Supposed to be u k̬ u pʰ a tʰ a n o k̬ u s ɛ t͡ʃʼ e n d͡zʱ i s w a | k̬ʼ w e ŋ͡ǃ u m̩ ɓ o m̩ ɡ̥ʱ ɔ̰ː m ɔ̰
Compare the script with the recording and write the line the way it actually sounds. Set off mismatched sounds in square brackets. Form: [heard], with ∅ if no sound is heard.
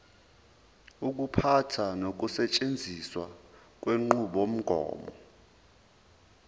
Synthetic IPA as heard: u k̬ u pʰ a tʰ a n o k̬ u s ɛ t͡ʃʼ e n d͡zʱ i s w a | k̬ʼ w e ŋ͡ǃ u [∅] ɓ o m̩ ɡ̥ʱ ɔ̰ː m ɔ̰